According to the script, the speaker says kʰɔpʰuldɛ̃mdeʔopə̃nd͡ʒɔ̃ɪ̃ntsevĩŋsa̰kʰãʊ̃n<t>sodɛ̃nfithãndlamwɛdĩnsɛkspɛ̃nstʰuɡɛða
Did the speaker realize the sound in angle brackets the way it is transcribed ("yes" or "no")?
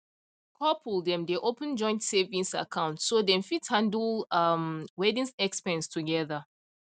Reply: yes